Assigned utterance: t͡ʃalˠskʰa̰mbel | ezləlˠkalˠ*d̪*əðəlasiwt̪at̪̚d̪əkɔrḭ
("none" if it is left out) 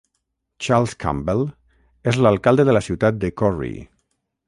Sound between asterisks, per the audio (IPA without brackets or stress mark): d̪